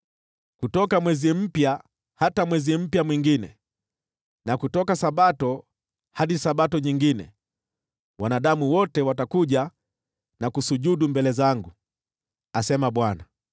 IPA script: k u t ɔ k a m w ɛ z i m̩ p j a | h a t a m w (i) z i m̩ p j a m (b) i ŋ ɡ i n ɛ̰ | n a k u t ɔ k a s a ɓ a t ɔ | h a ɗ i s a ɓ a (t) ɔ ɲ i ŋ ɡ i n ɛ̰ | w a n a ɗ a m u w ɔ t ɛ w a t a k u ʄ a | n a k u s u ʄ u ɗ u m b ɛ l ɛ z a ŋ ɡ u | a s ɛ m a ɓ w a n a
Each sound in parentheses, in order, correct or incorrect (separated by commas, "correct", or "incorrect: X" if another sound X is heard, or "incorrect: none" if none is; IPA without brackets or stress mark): incorrect: ɛ, incorrect: w, correct